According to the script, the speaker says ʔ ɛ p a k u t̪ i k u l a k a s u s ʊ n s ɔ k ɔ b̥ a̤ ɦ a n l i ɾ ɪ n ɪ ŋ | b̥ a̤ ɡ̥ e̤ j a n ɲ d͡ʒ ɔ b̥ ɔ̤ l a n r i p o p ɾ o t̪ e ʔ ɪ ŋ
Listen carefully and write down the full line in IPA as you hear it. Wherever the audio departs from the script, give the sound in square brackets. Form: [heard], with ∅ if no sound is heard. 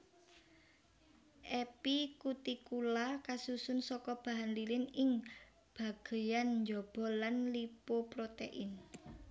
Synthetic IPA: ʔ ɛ p [i] k u t̪ i k u l a k a s u s ʊ n s ɔ k ɔ b̥ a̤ ɦ a n l i [l] ɪ n ɪ ŋ | b̥ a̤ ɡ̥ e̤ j a n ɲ d͡ʒ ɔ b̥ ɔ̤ l a n [l] i p o p ɾ o t̪ e ʔ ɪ [n]